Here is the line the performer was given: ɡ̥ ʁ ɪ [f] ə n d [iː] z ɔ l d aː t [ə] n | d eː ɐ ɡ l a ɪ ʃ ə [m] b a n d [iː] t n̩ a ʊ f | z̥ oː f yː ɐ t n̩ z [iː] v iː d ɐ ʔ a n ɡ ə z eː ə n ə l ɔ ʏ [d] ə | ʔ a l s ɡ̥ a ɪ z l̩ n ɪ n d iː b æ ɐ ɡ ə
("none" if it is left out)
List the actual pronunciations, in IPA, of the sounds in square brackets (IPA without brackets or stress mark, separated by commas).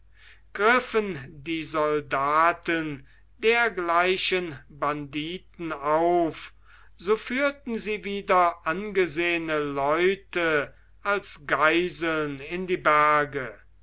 f, iː, ə, n, iː, iː, t